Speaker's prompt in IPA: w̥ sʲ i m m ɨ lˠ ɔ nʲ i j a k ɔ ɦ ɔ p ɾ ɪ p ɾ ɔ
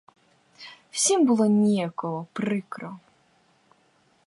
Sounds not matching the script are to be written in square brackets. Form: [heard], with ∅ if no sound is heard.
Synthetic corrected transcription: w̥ sʲ i m [b] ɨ lˠ ɔ nʲ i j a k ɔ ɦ ɔ p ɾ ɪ [k] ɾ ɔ